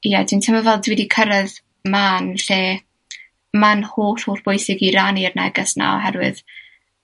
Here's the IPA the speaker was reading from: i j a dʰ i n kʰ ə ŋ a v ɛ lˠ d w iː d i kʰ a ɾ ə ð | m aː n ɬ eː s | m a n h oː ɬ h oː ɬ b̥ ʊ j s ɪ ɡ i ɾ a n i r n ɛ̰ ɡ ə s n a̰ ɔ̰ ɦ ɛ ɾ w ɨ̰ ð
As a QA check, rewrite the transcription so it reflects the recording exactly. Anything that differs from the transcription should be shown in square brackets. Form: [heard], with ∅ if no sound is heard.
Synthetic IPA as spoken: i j a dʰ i n [tʰ] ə [m] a v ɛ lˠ d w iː d i kʰ [ə] ɾ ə ð | m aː n ɬ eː [∅] | m a n h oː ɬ h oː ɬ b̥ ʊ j s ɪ ɡ i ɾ a n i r n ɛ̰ ɡ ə s n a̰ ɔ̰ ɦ ɛ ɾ w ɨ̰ ð